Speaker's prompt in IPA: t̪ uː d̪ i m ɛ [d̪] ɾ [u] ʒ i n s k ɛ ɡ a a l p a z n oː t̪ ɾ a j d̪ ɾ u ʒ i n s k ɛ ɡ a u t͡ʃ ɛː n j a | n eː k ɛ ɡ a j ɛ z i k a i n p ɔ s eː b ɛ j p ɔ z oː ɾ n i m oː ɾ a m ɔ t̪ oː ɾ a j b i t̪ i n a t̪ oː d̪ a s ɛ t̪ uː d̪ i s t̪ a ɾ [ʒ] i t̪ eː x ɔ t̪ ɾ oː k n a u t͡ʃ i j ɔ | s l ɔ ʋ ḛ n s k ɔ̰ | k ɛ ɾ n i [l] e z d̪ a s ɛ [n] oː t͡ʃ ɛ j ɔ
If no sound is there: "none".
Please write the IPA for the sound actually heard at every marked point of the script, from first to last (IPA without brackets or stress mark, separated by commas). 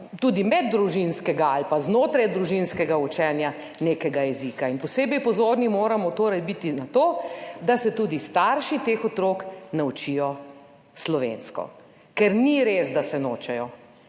d̪ː, u, ʃ, ɾ, n